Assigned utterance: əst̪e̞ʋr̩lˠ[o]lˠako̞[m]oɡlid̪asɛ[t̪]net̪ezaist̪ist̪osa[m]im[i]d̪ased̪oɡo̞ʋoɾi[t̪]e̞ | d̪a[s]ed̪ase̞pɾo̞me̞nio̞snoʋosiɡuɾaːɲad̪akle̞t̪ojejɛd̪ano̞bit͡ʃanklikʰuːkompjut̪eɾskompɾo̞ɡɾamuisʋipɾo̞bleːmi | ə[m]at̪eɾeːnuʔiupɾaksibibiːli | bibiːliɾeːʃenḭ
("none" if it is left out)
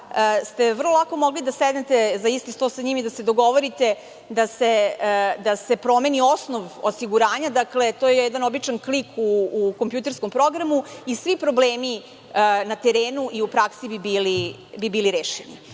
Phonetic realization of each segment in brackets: o, m, d̪, ɲ, i, t̪, s, n

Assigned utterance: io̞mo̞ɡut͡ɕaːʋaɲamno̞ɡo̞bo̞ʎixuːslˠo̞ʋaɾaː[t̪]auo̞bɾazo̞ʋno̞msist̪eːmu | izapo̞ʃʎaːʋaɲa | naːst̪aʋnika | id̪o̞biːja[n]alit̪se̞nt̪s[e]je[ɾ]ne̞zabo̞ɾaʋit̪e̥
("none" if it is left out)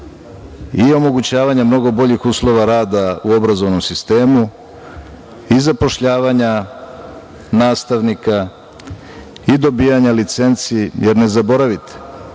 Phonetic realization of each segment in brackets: d̪, ɲ, i, ɾ

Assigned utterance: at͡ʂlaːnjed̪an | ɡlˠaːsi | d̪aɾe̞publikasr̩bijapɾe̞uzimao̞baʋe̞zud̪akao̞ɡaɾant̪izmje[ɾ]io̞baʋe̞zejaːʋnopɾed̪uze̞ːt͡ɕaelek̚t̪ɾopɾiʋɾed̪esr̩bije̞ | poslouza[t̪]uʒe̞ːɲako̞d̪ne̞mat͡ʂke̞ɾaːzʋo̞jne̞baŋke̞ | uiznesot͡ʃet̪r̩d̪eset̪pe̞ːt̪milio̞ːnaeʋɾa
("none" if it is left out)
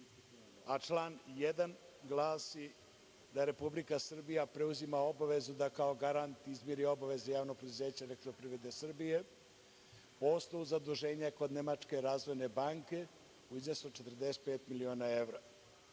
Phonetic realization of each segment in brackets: ɾ, d̪

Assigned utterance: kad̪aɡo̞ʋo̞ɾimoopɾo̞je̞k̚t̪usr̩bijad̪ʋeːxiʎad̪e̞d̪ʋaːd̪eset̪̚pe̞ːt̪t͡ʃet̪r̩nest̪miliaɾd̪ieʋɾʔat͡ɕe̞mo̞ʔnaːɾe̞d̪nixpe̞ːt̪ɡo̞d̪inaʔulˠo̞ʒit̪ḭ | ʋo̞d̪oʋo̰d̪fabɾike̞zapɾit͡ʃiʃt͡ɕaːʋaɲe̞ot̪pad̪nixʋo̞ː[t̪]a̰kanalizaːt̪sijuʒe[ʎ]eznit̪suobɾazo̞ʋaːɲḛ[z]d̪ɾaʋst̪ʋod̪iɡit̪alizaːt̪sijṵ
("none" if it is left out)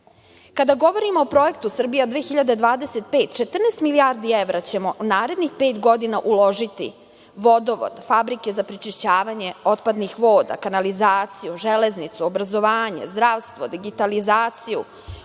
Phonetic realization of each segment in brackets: d̪, l, z

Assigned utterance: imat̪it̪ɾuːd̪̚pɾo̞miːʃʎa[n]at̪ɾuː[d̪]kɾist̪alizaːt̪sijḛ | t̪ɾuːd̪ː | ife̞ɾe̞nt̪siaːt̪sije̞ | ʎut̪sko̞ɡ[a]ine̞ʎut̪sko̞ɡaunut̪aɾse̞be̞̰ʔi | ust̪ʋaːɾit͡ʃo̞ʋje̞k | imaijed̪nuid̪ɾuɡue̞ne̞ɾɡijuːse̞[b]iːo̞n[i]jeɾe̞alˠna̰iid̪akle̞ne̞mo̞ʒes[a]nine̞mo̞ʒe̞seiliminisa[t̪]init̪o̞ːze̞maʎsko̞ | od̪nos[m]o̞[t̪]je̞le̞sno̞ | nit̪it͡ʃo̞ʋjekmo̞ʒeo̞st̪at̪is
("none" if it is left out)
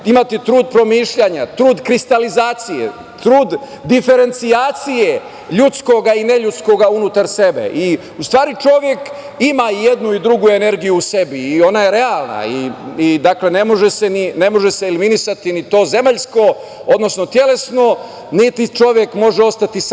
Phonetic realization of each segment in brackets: ɲ, d̪, a, b, a, e, t̪, n, t̪

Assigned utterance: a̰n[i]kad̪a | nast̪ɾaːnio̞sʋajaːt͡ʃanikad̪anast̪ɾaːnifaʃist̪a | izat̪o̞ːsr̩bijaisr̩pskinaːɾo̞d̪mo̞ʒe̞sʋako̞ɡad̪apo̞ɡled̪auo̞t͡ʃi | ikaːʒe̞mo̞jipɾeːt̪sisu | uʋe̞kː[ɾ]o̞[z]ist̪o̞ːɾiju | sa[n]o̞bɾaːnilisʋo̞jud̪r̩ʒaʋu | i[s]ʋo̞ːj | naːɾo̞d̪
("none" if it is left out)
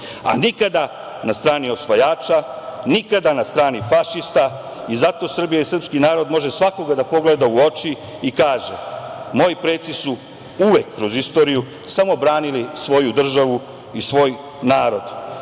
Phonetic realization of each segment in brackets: i, ɾ, z, m, s

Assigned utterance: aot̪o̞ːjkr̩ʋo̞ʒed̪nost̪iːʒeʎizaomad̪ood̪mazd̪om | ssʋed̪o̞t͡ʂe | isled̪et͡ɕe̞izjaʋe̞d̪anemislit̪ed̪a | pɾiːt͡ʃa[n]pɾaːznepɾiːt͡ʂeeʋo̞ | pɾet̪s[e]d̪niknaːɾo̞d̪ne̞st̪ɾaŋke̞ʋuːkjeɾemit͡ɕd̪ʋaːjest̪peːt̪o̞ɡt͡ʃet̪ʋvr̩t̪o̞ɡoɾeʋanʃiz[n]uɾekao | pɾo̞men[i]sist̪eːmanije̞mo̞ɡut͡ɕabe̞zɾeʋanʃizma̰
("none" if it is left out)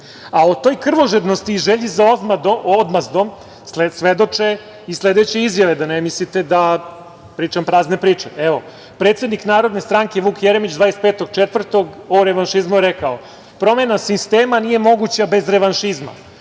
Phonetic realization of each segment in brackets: m, e, m, a

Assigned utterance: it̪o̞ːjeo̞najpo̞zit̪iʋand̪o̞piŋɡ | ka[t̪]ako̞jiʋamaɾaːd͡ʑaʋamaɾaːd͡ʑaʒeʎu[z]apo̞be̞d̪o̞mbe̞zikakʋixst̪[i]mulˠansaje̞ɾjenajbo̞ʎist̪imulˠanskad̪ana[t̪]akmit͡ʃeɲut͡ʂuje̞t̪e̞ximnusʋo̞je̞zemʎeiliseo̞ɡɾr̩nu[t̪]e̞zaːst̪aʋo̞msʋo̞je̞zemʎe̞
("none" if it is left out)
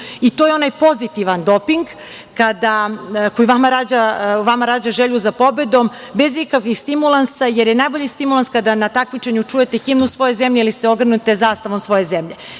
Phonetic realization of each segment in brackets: d̪, z, i, t̪, t̪

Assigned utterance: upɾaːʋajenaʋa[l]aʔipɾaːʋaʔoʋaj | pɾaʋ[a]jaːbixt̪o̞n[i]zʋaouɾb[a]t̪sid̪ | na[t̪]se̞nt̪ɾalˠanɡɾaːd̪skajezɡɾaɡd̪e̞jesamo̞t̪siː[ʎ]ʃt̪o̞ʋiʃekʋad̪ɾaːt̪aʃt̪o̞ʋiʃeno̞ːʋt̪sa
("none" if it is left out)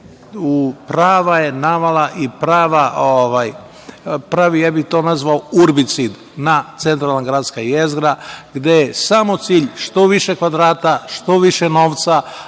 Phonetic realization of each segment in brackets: l, i, a, i, t̪, ʎ

